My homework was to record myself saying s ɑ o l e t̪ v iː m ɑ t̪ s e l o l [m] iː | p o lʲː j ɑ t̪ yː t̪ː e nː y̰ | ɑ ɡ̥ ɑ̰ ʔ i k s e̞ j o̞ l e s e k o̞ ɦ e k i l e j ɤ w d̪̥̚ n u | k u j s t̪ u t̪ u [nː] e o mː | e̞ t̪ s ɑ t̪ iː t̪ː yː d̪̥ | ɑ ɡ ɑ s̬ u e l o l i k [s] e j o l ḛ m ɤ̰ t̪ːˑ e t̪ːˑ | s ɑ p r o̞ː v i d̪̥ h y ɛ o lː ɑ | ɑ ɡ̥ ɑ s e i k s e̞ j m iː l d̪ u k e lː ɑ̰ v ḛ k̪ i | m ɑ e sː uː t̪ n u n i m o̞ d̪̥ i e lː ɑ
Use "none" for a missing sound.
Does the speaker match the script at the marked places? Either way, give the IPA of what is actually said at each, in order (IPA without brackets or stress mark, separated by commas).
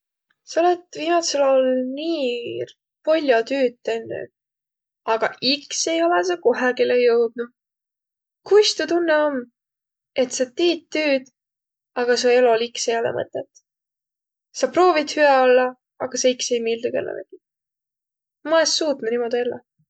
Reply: n, nː, s